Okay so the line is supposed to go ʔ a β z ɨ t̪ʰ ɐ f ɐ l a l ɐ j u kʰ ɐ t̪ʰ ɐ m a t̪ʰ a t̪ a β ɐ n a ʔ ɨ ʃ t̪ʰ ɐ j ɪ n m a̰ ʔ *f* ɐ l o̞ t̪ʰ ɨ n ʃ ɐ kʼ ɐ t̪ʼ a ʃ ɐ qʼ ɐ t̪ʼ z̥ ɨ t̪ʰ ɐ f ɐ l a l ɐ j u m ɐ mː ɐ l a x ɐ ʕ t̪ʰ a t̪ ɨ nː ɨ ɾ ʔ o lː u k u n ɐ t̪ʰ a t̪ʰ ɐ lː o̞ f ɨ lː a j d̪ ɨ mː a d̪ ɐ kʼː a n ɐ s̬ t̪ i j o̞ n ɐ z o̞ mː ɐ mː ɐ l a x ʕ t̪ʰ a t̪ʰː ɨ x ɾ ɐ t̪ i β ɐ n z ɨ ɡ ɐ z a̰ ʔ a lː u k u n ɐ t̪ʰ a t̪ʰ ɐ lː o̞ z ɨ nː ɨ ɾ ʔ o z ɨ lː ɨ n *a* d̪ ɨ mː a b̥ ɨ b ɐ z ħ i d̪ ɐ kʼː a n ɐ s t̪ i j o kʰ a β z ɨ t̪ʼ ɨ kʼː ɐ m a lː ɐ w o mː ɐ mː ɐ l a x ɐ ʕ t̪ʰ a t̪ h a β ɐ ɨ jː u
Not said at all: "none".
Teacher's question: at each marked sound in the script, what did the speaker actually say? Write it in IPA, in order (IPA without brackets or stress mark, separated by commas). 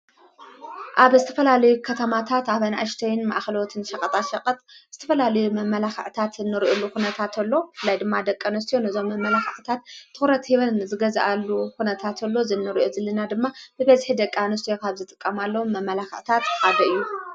x, a